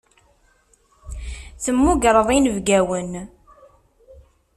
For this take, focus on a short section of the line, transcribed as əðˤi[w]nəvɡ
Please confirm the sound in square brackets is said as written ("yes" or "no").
no